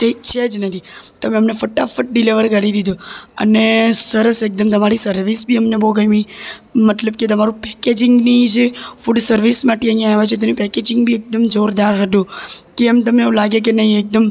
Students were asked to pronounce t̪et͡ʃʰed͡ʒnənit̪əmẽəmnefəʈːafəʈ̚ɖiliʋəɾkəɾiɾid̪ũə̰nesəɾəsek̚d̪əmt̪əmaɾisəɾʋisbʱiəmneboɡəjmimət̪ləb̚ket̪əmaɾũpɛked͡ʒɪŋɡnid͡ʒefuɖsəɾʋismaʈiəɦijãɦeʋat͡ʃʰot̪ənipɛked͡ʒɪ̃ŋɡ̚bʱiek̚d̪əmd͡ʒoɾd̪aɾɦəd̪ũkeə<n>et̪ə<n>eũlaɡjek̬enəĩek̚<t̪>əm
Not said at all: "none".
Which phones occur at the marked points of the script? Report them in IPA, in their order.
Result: m, m, d̪

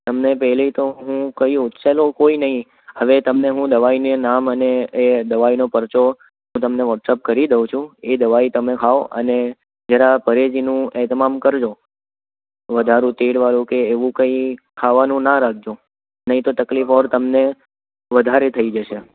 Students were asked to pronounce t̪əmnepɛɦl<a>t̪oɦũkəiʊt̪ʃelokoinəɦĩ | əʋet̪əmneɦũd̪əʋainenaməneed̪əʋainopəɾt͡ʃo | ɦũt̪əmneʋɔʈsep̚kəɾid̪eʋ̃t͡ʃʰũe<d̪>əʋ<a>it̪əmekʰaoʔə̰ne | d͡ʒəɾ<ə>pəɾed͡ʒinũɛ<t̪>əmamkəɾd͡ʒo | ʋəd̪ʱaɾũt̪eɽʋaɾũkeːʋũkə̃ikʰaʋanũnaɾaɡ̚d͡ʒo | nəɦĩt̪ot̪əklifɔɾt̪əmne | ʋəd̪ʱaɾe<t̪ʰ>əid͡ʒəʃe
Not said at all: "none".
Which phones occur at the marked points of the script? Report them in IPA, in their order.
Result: i, d̪, a, a, t̪, t̪ʰ

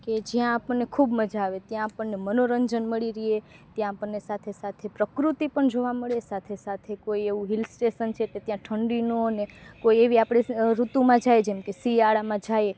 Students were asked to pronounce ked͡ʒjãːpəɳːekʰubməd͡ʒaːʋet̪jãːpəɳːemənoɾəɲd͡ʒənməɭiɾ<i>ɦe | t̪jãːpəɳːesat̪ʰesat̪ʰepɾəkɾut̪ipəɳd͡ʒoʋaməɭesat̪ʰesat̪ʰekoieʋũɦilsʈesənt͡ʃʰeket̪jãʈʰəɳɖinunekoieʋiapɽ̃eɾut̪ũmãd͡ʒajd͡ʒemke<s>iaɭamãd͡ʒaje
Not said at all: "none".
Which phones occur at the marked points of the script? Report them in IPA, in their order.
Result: i, s

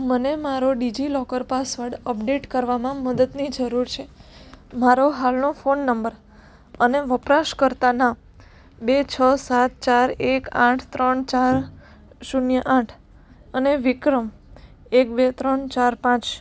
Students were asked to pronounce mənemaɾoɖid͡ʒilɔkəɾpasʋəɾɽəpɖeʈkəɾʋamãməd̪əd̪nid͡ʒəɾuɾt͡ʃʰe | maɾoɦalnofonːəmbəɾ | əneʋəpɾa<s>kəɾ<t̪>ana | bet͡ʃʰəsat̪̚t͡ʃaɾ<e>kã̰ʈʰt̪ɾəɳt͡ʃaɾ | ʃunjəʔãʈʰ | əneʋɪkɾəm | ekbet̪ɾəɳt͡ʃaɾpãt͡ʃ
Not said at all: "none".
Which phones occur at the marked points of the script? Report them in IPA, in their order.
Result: ʃ, t̪, e

